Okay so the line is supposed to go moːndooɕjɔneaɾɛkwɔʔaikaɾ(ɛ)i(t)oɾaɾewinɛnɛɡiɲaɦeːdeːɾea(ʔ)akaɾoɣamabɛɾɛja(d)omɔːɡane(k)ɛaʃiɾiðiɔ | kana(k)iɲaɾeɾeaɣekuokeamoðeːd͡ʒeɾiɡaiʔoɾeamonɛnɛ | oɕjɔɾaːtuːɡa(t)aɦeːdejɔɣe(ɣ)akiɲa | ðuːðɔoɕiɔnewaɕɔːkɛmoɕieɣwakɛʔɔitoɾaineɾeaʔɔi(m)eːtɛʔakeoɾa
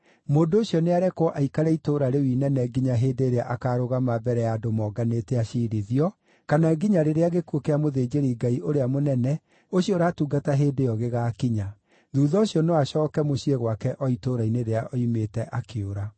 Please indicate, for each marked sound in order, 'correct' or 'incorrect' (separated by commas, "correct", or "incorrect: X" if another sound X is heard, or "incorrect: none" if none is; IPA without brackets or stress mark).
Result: correct, correct, correct, correct, incorrect: t, incorrect: ɡ, correct, correct, correct